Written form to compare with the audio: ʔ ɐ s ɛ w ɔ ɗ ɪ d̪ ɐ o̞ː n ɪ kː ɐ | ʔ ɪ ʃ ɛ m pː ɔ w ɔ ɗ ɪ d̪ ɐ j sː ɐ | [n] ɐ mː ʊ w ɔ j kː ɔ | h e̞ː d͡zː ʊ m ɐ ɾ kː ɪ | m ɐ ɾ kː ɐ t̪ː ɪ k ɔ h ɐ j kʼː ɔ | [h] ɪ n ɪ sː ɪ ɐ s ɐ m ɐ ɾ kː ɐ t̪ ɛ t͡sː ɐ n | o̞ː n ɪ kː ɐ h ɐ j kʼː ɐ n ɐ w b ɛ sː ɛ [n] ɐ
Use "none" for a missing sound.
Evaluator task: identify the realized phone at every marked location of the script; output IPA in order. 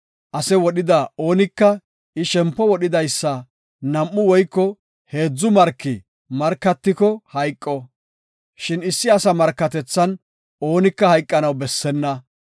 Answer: n, ʃ, nː

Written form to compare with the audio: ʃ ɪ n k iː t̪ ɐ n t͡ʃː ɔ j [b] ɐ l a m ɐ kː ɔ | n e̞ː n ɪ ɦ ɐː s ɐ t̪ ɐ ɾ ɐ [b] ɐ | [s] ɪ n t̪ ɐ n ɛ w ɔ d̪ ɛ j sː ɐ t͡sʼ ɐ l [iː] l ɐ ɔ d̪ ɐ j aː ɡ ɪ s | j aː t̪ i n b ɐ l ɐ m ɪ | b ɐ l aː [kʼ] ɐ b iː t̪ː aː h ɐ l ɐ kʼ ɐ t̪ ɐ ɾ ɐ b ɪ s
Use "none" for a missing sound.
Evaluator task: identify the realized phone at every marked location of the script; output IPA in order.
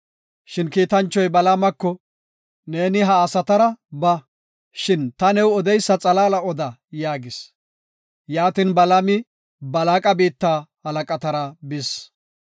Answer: b, b, ʃ, aː, kʼ

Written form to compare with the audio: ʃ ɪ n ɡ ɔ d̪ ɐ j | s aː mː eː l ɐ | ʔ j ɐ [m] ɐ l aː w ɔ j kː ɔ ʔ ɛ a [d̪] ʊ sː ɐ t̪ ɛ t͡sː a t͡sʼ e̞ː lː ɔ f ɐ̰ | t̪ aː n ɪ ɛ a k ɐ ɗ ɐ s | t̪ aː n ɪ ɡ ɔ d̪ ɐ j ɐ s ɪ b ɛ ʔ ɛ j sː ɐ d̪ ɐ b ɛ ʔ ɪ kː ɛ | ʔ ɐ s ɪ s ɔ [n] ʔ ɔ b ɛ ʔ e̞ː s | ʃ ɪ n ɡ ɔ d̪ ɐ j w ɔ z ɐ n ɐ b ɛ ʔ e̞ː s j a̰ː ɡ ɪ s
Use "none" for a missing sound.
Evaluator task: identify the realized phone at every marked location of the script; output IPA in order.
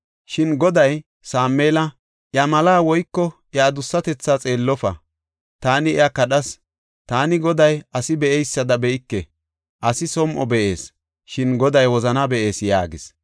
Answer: m, d̪, m

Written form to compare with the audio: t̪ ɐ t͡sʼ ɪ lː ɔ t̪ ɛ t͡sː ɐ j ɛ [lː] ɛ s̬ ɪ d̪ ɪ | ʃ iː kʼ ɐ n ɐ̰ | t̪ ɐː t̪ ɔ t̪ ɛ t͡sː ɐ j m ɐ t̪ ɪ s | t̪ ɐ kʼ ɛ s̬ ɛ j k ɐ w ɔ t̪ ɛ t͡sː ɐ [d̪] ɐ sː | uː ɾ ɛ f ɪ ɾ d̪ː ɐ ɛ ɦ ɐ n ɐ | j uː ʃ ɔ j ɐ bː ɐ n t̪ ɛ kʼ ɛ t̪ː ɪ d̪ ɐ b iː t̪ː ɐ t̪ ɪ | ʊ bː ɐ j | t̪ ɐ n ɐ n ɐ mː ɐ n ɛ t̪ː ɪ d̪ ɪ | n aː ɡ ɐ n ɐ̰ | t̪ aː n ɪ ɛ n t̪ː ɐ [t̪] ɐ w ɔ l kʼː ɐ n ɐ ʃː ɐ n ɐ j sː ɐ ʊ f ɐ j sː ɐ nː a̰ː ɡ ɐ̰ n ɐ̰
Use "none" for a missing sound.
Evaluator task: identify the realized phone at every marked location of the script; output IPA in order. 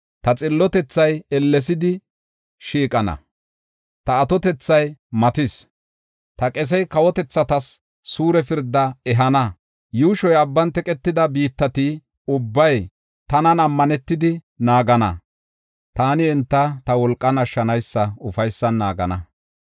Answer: lː, t̪, t̪

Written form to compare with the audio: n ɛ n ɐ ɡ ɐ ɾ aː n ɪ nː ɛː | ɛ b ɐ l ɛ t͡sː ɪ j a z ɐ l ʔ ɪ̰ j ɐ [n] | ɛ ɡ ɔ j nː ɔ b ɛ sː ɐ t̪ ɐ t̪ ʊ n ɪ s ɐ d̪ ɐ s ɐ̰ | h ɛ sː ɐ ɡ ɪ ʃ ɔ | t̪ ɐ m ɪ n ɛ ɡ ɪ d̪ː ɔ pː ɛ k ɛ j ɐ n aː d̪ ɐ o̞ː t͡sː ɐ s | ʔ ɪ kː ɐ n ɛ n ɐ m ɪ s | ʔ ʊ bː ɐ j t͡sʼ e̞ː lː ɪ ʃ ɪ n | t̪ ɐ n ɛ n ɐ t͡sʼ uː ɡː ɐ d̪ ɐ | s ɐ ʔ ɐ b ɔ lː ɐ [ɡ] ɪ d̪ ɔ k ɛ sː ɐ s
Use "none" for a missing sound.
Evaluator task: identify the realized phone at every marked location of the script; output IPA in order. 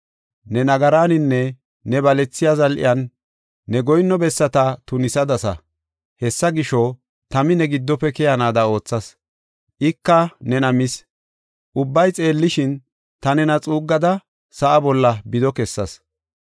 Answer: nː, b

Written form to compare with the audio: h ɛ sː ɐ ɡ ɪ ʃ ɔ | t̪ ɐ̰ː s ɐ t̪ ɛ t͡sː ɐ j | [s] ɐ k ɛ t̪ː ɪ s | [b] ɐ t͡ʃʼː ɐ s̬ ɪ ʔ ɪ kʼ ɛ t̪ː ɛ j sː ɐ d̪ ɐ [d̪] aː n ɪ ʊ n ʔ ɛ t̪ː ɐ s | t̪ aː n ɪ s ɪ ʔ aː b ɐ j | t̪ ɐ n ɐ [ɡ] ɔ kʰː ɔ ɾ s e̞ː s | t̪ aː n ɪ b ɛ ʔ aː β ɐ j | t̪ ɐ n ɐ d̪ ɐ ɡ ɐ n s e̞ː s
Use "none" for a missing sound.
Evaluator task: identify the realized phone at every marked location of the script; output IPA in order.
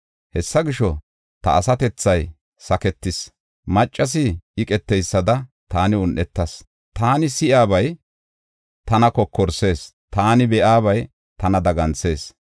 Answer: s, m, t̪, k

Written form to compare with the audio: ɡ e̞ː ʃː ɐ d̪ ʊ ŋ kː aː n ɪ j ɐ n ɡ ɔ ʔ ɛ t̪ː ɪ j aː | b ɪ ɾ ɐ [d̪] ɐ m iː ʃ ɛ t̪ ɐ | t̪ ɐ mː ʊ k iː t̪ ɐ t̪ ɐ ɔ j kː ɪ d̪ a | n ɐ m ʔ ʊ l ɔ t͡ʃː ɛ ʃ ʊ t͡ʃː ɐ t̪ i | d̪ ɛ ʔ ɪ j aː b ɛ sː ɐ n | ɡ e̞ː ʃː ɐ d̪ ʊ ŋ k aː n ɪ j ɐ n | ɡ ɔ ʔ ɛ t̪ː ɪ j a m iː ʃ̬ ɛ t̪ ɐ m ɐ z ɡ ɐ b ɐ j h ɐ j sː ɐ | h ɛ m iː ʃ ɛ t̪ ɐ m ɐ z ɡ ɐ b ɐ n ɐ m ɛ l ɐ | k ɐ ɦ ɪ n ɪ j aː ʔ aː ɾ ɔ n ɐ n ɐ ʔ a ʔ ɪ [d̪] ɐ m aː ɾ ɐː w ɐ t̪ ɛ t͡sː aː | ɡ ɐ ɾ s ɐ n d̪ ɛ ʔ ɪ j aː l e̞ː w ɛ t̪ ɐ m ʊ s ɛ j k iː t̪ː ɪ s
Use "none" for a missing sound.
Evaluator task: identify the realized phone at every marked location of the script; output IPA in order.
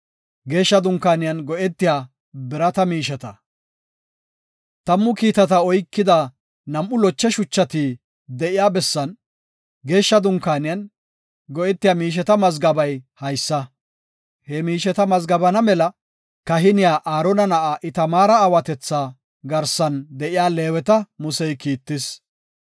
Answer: t̪, t̪

